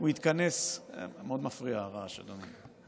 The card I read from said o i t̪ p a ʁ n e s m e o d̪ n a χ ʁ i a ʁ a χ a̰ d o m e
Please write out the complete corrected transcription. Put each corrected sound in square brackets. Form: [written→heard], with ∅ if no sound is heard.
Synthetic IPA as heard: [o→u] i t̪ [p→k] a [ʁ→∅] n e s m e o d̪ [n→m] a [χ→f] ʁ i a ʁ a [χ→ʃ] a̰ d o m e